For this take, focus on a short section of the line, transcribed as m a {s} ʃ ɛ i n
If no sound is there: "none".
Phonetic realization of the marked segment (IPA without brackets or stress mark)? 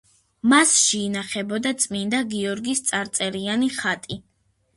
s